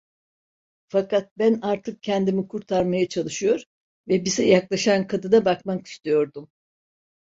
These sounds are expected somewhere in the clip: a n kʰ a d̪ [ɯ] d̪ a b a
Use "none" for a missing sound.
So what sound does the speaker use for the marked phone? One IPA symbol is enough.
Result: ɯ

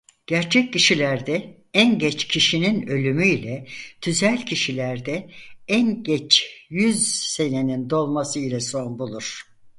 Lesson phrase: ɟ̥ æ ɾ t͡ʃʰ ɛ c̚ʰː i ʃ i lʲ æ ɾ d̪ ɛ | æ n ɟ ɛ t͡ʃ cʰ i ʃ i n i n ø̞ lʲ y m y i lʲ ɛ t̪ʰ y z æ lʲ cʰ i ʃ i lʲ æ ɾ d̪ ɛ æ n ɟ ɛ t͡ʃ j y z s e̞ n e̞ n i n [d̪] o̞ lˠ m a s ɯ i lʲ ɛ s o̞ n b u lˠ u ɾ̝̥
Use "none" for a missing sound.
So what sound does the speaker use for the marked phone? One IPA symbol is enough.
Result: d̪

